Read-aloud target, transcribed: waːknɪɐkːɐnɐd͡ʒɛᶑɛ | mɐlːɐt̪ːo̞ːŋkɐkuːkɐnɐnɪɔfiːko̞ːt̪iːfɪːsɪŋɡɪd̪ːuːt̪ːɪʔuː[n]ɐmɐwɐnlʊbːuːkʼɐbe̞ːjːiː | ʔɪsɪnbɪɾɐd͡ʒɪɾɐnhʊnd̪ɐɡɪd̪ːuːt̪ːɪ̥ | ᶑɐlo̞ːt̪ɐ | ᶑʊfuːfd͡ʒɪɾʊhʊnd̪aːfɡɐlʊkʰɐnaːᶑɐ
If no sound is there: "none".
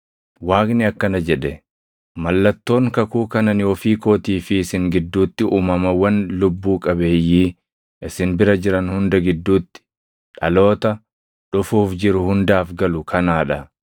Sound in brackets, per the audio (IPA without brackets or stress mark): m